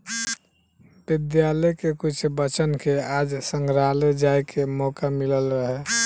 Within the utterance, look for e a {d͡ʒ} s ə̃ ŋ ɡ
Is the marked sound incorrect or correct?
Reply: correct